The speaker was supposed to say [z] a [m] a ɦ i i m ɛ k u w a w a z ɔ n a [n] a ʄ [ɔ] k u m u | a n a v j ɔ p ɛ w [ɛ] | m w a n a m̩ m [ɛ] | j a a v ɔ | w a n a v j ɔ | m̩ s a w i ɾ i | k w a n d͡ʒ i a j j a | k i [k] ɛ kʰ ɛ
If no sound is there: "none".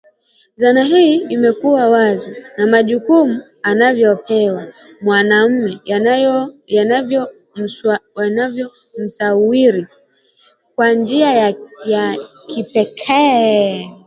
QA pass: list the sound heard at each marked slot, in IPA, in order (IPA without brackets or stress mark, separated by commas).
z, n, m, u, a, ɛ, p